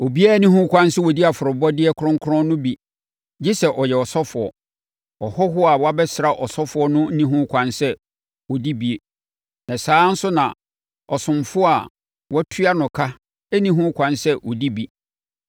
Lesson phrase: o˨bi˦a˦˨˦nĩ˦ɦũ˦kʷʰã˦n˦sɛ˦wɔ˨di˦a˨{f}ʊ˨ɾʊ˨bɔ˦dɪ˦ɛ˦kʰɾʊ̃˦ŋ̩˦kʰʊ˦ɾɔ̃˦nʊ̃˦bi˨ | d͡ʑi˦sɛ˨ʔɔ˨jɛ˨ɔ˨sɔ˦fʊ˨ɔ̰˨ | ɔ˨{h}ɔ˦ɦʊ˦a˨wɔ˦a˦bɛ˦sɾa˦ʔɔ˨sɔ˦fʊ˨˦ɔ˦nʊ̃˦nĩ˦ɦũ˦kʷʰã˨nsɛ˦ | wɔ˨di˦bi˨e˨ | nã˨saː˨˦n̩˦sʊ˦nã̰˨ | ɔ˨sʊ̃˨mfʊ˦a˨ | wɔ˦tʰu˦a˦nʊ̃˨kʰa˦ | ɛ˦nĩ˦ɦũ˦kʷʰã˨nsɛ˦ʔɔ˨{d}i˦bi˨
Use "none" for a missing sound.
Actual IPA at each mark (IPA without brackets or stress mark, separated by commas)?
f, h, d